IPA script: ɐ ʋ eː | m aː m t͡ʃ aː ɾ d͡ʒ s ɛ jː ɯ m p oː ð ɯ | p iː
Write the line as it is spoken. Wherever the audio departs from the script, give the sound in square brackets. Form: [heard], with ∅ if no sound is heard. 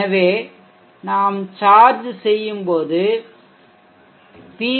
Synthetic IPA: ɐ ʋ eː | [n] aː m t͡ʃ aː ɾ d͡ʒ s ɛ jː ɯ m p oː ð ɯ | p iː